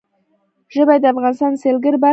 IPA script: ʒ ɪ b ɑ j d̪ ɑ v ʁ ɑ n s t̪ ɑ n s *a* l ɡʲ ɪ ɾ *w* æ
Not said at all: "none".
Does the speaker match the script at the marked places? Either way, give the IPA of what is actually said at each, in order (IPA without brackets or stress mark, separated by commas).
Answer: e, b